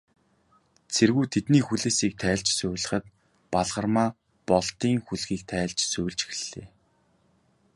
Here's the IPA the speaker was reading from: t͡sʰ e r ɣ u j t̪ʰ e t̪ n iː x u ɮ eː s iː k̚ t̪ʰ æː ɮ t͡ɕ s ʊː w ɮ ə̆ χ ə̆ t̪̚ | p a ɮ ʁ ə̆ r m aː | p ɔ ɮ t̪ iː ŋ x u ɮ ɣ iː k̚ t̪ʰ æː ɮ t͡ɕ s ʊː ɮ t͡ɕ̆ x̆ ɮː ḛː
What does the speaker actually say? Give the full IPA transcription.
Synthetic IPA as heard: t͡sʰ e r ɣ u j t̪ʰ e t̪ n iː x u ɮ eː s iː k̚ t̪ʰ æː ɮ t͡ɕ s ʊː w ɮ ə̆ χ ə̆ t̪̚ | p a ɮ ʁ ə̆ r m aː | p ɔ ɮ t̪ iː ŋ x u ɮ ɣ iː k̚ t̪ʰ æː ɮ t͡ɕ s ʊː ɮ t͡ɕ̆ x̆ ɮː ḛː